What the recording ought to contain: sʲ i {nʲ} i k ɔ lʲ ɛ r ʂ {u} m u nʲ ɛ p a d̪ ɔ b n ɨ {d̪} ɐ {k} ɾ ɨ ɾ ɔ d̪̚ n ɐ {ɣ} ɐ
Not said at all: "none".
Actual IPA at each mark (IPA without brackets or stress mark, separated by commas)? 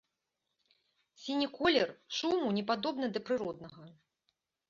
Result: nʲ, u, d̪, p, ɣ